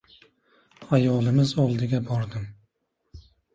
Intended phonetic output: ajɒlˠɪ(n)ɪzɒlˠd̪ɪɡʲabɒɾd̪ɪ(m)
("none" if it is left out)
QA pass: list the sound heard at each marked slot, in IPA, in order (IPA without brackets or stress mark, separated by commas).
m, m